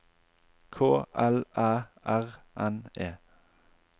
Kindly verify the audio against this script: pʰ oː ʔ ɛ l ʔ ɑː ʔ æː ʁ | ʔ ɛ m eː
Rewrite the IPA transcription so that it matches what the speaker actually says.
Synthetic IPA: kʰ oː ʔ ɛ l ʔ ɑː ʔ æ ʁ | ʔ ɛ n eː